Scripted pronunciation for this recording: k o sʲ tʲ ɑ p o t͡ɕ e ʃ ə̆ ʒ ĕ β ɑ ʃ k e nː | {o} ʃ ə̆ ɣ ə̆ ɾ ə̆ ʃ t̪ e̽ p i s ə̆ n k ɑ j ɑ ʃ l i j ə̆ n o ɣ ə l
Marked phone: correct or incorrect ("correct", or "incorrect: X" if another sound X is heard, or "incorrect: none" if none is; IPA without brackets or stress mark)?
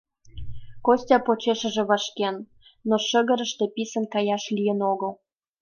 correct